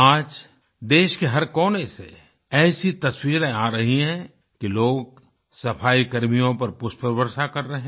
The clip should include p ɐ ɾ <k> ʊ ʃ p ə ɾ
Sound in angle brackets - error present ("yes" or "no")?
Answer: yes